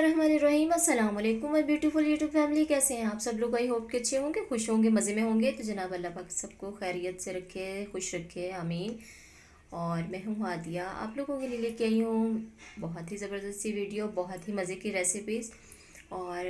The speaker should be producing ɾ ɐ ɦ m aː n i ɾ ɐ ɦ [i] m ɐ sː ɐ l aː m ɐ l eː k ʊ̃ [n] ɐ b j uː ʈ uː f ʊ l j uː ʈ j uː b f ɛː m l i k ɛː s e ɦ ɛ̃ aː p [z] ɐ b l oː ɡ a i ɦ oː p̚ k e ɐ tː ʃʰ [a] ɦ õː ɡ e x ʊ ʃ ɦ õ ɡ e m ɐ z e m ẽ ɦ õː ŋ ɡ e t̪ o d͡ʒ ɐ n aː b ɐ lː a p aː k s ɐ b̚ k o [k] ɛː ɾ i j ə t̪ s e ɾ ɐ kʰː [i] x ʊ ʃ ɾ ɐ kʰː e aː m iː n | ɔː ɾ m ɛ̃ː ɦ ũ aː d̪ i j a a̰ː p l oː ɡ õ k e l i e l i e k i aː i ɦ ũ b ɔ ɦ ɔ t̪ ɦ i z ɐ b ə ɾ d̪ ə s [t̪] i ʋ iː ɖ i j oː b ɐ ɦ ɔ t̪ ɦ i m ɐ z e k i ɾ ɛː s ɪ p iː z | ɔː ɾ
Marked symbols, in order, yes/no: no, no, no, no, no, no, yes

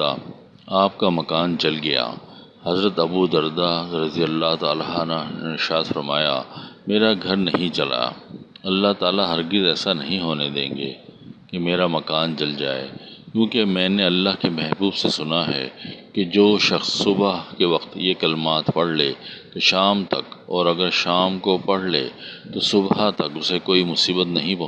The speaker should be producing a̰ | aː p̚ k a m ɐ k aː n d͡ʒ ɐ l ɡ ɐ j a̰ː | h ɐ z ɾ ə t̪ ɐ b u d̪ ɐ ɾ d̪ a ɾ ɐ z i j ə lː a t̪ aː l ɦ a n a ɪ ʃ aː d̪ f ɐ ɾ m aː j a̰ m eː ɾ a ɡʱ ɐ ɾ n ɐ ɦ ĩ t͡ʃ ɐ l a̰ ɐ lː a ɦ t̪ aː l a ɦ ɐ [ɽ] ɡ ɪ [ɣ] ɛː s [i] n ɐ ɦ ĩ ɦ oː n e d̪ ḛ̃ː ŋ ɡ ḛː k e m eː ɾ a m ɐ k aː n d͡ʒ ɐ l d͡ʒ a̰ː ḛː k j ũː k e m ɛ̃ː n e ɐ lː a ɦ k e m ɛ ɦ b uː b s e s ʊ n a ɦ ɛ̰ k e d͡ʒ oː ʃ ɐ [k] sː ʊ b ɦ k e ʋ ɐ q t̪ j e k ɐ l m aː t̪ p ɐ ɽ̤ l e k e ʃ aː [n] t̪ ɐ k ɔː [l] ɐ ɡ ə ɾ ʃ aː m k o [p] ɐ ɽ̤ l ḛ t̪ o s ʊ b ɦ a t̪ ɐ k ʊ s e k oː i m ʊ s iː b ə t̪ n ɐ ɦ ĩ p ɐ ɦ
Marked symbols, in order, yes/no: no, no, no, no, no, no, yes

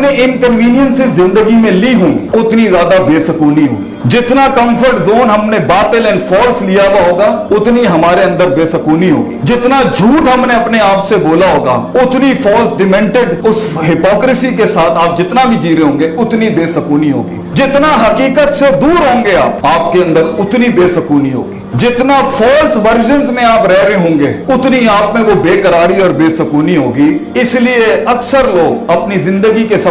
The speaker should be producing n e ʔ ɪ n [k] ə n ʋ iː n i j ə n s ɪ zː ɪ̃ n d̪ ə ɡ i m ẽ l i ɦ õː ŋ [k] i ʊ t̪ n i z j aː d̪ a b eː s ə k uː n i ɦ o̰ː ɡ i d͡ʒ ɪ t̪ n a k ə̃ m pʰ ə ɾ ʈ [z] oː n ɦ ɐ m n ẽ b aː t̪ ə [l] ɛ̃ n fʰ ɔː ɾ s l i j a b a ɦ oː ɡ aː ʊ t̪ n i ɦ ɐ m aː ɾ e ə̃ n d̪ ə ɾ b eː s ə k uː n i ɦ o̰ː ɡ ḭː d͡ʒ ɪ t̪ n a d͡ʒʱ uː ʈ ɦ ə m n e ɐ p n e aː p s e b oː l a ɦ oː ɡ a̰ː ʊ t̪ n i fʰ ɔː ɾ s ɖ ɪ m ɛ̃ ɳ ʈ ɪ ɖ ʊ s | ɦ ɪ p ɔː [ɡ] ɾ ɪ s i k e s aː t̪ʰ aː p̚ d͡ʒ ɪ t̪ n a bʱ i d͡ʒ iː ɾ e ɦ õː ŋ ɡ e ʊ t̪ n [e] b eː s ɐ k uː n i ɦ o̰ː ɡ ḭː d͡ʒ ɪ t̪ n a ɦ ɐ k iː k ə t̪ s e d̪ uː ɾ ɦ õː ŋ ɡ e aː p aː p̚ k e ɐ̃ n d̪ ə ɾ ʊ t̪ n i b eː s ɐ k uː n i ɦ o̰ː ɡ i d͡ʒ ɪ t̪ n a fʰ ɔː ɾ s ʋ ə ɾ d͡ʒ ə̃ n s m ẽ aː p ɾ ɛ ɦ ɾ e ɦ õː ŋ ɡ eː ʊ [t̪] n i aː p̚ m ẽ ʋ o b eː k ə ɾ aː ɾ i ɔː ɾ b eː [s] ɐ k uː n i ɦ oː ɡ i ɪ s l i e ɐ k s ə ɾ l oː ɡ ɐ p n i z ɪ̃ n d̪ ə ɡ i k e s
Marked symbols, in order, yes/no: yes, no, yes, yes, no, no, yes, yes

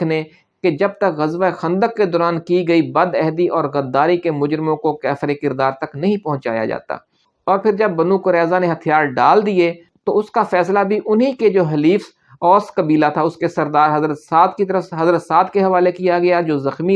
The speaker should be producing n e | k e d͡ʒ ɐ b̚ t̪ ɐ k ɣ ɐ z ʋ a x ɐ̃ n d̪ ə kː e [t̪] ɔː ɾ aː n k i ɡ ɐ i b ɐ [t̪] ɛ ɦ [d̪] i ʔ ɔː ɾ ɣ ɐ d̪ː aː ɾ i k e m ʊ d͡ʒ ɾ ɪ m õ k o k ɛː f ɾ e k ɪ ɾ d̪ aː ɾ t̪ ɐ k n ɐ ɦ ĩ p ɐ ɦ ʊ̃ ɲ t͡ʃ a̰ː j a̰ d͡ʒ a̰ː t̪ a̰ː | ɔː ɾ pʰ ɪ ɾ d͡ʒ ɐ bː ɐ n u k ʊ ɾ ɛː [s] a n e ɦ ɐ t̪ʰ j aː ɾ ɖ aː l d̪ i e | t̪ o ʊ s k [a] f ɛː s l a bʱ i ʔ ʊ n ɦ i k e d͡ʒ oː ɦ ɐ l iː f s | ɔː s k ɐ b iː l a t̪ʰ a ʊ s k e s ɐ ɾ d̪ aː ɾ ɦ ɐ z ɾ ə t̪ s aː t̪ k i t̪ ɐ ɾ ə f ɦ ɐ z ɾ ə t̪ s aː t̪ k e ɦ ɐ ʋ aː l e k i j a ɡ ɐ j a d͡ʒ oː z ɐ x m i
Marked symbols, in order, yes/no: no, no, yes, no, yes

